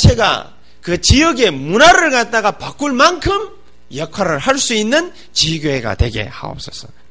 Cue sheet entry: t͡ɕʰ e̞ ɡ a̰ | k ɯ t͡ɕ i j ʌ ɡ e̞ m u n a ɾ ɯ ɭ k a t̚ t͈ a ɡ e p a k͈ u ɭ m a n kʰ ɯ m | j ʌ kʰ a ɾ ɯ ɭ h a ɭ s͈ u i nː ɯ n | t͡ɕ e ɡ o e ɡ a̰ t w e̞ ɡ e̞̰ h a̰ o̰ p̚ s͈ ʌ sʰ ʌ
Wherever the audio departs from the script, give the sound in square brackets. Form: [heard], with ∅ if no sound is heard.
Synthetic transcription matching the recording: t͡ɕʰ e̞ ɡ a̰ | k ɯ t͡ɕ i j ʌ ɡ e̞ m u n a ɾ ɯ ɭ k a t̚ t͈ a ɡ [a] p a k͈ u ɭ m a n kʰ ɯ m | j ʌ kʰ a ɾ ɯ ɭ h a ɭ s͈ u i nː ɯ n | t͡ɕ [i] ɡ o e ɡ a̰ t w e̞ ɡ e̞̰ h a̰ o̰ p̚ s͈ ʌ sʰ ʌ